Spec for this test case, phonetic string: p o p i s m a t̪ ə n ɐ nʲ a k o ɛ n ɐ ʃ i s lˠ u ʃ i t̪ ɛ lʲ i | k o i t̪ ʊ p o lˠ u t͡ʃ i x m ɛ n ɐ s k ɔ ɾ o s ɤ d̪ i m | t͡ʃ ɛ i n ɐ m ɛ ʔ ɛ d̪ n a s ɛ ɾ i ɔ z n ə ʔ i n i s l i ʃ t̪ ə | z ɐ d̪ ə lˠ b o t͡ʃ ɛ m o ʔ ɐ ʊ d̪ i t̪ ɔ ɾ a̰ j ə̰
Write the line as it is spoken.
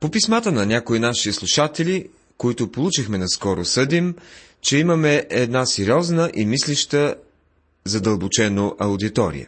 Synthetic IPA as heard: p o p i s m a t̪ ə n ɐ nʲ a k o i n a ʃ i s lˠ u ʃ a t̪ ɛ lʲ i | k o i t̪ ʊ p o lˠ u t͡ʃ i x m ɛ n ɐ s k ɔ ɾ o s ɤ d̪ i m | t͡ʃ ɛ i m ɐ m ɛ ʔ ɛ d̪ n a s ɛ ɾ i ɔ z n ə ʔ i m i s l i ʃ t̪ ə | z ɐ d̪ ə lˠ b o t͡ʃ ɛ n o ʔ ɐ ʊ d̪ i t̪ ɔ ɾ ḭ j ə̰